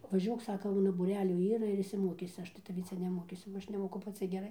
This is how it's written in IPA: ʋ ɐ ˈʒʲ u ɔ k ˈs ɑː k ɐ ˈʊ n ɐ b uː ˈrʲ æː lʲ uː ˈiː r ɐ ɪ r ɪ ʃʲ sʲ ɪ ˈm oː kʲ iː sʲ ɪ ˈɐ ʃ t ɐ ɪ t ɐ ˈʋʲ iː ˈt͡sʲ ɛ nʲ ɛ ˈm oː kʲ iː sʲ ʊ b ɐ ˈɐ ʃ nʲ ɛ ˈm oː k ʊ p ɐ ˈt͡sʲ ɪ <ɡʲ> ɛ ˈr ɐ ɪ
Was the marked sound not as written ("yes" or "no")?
no